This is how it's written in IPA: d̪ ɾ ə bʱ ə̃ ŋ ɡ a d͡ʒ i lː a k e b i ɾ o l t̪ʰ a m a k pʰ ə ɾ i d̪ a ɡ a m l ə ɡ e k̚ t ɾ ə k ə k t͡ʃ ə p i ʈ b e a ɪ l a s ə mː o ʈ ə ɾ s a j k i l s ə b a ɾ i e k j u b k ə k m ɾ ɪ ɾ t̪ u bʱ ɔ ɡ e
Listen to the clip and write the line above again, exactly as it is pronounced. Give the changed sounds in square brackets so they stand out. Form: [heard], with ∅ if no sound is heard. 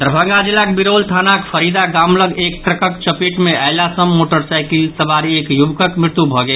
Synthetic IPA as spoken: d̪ ɾ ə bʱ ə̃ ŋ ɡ a d͡ʒ i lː a k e b i ɾ o l t̪ʰ a [n] a k pʰ ə ɾ i d̪ a ɡ a m l ə ɡ e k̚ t ɾ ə k ə k t͡ʃ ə p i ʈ [m] e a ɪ l a s ə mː o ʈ ə ɾ s a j k i l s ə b a ɾ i e k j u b k ə k m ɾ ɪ ɾ t̪ u bʱ ɔ ɡ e